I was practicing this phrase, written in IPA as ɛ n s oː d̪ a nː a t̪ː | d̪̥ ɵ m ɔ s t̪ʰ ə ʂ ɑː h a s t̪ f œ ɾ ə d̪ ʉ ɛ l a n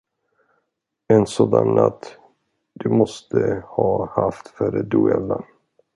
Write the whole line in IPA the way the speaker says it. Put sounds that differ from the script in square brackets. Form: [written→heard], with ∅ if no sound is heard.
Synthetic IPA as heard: ɛ n s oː d̪ a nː a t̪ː | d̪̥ ɵ m ɔ s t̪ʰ ə [ʂ→h] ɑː h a [s→f] t̪ f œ ɾ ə d̪ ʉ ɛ l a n